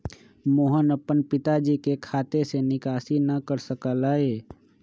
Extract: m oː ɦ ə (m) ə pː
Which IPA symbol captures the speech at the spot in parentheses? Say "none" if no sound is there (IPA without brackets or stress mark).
n